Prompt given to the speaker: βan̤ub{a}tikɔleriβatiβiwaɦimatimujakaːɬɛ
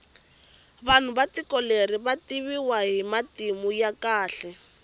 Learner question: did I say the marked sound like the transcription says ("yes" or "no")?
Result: yes